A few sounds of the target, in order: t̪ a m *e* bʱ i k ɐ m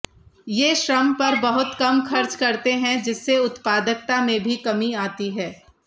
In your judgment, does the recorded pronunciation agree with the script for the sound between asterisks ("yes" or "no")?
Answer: no